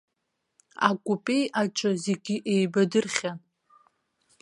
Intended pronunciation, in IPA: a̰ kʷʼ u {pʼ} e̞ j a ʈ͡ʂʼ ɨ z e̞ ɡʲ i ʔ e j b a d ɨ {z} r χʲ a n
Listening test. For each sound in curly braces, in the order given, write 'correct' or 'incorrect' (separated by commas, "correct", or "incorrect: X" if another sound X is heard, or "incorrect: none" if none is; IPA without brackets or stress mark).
correct, incorrect: none